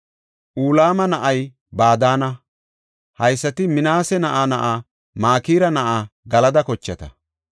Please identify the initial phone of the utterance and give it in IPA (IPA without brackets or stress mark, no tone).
ʔ